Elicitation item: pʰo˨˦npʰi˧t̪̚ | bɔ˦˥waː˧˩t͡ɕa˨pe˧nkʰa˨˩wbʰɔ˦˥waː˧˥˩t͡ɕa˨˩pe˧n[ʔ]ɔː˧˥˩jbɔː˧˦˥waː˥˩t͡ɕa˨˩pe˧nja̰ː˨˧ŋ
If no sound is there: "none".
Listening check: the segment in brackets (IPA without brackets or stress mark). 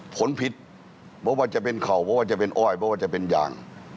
ʔ